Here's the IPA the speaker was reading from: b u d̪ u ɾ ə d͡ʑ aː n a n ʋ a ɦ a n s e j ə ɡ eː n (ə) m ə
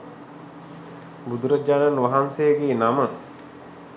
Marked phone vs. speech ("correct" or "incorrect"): incorrect